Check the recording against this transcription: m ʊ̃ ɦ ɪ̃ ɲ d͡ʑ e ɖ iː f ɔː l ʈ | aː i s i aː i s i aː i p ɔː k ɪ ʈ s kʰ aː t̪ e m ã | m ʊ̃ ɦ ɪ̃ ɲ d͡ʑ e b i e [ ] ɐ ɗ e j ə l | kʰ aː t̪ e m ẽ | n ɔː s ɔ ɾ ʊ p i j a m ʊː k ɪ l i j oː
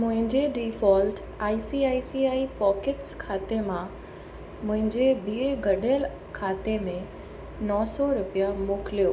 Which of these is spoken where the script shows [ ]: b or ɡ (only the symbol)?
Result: ɡ